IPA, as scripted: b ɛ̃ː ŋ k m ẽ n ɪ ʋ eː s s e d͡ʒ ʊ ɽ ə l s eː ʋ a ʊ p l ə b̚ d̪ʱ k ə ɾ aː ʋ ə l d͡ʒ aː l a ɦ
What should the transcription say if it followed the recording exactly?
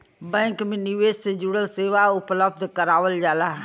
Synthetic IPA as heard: b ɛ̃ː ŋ k m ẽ n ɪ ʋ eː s s e d͡ʒ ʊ ɽ ə l s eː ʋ a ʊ p l ə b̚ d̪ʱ k ə ɾ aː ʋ ə l d͡ʒ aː l a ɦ